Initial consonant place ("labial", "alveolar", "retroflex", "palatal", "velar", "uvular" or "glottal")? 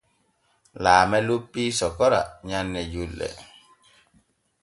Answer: alveolar